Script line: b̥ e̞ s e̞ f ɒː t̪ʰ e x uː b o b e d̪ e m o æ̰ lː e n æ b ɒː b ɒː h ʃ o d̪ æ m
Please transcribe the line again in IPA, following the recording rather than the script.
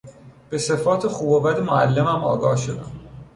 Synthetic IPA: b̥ e̞ s e̞ f ɒː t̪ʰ e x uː b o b æ d̪ e m o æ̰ lː e m æ m ɒː ɡ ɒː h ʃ o d̪ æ m